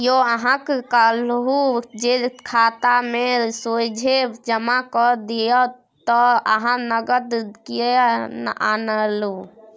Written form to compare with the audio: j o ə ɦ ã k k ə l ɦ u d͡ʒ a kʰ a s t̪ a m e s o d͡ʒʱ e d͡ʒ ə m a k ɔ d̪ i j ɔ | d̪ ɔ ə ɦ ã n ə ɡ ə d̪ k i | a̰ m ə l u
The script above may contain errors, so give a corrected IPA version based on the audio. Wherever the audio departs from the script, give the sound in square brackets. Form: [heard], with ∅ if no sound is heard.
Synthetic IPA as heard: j o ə ɦ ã k k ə l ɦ u d͡ʒ [e] kʰ a [∅] t̪ a m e s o d͡ʒʱ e d͡ʒ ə m a k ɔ d̪ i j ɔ | [t̪] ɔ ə ɦ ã n ə ɡ ə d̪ k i | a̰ [n] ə l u